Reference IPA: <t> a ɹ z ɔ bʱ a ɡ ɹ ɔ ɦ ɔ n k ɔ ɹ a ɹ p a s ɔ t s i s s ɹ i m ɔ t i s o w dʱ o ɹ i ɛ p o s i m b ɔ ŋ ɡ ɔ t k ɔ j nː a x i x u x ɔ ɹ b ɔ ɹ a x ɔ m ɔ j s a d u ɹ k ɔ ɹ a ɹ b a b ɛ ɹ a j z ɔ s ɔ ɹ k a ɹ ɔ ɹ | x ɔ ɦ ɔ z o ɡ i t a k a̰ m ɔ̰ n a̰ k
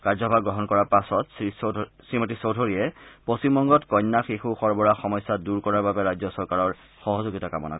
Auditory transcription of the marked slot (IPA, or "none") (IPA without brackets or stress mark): k